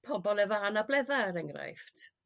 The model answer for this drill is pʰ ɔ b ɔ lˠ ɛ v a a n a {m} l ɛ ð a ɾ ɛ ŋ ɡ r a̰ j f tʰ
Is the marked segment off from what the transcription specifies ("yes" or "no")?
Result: yes